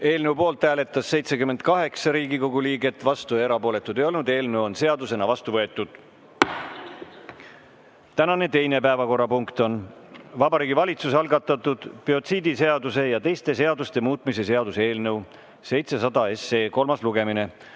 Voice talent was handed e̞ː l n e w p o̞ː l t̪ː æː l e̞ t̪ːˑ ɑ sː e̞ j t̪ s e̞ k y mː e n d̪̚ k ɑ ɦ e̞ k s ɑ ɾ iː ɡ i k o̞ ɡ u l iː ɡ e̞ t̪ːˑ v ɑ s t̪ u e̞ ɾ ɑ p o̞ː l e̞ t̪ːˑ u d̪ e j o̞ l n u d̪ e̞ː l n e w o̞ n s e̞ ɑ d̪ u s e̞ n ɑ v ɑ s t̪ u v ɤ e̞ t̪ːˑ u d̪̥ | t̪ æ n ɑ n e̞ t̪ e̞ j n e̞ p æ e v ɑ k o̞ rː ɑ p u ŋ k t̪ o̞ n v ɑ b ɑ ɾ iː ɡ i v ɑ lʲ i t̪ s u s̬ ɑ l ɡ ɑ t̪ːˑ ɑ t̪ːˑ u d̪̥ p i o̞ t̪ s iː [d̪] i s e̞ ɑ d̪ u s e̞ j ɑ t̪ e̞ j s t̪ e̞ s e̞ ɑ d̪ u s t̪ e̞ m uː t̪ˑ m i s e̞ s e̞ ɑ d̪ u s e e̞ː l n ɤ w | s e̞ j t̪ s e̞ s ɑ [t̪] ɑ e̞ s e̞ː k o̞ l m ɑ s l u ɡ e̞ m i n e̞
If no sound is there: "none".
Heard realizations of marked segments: d̪, d̪

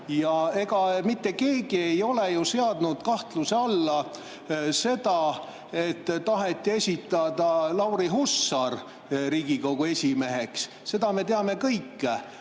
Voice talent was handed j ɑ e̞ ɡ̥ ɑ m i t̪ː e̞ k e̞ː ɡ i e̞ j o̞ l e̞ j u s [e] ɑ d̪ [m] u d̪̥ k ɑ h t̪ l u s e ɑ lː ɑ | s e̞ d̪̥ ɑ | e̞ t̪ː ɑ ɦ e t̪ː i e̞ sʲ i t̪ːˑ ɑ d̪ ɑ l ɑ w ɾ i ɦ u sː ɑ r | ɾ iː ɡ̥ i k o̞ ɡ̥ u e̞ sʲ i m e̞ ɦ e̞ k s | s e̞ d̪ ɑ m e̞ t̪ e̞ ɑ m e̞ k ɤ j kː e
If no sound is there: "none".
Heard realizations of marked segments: e, n

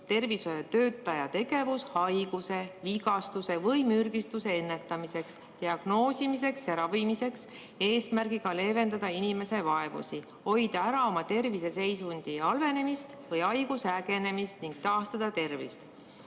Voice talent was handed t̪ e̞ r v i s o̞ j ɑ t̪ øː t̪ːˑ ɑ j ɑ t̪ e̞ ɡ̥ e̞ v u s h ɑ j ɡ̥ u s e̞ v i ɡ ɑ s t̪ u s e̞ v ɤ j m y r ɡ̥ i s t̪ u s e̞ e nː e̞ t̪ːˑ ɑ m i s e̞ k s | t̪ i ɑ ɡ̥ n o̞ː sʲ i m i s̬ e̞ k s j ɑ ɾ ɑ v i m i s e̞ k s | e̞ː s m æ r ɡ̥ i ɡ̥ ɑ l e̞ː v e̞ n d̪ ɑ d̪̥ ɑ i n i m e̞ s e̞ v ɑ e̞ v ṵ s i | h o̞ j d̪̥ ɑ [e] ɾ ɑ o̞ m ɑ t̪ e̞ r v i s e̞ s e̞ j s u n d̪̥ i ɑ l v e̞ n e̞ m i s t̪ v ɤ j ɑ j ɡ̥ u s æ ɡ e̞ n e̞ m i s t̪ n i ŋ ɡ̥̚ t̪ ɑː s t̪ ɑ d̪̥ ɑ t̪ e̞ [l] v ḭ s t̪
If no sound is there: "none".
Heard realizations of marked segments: æ, r

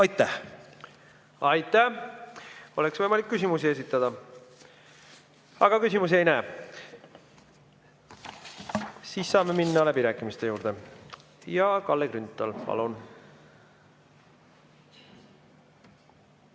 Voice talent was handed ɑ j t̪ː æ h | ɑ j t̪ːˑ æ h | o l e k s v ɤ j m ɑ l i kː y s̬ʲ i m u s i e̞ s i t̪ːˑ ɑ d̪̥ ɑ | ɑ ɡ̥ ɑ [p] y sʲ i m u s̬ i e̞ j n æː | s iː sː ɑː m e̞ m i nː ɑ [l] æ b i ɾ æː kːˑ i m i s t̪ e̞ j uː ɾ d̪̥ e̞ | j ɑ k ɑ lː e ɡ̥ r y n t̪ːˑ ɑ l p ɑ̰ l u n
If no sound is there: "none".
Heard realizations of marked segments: k, l

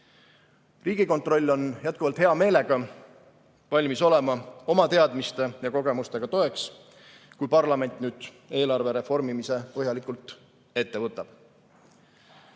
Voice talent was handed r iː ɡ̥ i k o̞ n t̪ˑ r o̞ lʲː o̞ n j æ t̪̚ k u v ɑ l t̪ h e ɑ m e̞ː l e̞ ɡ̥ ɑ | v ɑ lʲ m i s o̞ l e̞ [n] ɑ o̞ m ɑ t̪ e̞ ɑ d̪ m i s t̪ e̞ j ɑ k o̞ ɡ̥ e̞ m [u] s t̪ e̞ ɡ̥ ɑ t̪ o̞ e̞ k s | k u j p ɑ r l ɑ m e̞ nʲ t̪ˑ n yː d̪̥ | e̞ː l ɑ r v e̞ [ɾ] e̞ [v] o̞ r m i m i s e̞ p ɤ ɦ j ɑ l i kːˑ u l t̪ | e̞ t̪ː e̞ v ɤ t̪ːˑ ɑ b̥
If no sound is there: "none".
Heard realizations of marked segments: m, u, ɾ, f

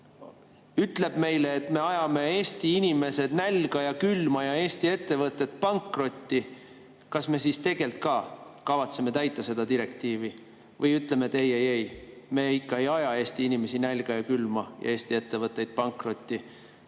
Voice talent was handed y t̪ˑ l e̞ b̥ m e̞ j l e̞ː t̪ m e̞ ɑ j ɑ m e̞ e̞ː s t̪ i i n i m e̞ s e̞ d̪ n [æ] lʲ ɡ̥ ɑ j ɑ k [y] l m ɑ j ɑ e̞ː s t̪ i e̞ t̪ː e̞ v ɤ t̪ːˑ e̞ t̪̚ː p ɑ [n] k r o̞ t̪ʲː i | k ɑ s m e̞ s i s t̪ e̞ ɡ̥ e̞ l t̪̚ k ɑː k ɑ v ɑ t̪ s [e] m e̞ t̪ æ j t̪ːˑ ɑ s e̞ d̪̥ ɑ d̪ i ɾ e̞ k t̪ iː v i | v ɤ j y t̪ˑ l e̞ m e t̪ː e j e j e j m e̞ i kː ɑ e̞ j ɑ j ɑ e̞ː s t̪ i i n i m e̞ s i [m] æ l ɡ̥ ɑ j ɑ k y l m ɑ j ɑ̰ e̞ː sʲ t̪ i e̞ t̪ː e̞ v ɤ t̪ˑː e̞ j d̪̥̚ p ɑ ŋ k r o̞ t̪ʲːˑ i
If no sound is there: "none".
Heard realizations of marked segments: æ, y, ŋ, e, n

